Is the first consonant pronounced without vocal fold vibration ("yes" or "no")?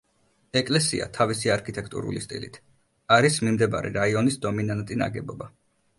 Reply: yes